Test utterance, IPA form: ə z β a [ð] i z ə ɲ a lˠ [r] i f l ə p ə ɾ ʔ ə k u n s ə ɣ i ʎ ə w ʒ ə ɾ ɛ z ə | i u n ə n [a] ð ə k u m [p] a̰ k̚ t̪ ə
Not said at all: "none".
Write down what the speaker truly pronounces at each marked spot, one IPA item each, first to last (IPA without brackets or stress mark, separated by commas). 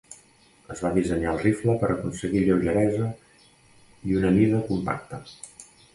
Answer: ð, r, i, p